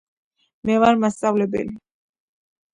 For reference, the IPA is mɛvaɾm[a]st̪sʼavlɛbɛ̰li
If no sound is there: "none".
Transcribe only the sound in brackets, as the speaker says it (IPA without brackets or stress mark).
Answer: a